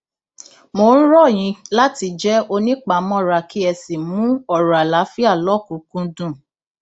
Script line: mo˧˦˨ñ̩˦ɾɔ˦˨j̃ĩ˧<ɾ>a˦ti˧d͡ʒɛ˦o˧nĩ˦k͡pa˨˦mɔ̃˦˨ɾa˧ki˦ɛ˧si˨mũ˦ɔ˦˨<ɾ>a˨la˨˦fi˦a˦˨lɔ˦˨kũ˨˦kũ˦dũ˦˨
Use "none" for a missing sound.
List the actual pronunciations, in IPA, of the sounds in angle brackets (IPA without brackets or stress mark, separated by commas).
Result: l, ɾ